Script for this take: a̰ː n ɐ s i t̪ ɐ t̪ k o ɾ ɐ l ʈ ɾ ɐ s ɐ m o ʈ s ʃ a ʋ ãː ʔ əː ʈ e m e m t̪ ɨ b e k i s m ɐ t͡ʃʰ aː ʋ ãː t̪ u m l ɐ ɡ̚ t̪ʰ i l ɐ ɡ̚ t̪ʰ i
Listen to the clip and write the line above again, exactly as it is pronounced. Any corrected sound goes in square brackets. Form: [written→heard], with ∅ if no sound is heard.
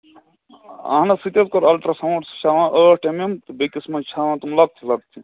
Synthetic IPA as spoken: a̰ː n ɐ s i t̪ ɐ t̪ k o ɾ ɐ l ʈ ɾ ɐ s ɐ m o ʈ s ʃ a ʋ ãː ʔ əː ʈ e m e m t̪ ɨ b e k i s m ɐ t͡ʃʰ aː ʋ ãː t̪ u m l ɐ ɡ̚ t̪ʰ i l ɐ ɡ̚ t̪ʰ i